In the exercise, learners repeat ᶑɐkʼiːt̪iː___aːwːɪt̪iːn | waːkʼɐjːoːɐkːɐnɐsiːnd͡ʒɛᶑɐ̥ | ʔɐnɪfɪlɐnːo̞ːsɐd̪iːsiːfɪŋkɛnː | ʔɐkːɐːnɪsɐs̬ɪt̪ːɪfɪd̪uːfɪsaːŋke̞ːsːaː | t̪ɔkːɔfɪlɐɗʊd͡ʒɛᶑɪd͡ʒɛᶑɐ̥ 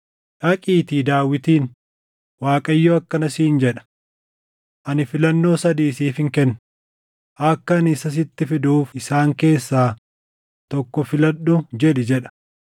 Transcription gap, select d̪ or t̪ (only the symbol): d̪